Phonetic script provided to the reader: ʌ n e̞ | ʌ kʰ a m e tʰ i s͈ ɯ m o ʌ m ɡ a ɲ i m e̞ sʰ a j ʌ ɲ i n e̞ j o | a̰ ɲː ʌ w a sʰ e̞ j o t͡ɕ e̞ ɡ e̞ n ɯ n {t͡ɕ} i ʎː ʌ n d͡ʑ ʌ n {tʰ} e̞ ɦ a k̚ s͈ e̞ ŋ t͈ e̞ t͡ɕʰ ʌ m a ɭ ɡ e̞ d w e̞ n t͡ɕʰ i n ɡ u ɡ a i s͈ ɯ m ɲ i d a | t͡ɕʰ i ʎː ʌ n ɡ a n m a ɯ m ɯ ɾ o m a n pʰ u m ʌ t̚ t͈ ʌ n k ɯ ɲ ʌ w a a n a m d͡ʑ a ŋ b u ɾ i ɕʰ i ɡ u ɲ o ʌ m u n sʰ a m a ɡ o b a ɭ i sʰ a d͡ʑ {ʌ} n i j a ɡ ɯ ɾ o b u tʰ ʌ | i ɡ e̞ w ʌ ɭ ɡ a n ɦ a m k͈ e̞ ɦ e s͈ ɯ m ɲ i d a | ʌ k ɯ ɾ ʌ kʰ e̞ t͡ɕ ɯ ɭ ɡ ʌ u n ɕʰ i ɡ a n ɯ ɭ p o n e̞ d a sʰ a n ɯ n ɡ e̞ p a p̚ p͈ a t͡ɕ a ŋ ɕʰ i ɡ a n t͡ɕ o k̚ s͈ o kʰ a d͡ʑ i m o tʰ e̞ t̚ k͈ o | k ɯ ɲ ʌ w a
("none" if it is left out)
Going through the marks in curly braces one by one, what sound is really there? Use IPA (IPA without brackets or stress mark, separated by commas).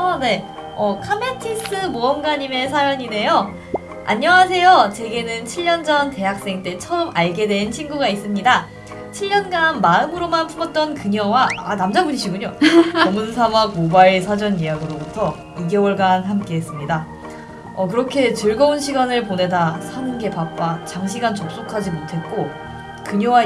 t͡ɕʰ, t, ʌ